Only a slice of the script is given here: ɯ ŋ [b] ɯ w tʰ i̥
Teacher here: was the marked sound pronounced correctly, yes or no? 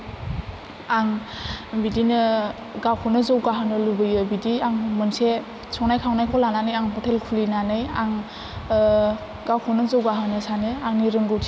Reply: no